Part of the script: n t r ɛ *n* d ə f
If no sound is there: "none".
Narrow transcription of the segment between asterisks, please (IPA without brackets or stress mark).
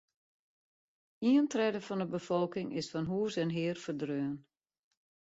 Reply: none